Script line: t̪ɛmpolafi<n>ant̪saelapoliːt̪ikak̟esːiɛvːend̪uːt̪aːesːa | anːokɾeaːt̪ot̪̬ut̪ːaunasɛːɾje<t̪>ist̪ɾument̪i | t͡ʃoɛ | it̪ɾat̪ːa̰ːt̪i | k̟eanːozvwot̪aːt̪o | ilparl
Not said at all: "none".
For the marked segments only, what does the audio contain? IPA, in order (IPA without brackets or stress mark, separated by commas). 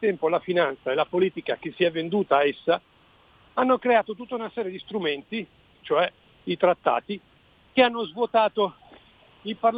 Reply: n, d̪